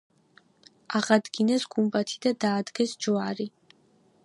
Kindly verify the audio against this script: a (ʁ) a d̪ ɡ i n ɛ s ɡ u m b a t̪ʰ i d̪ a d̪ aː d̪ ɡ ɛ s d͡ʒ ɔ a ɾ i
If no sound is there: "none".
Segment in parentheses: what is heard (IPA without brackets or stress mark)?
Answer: ʁ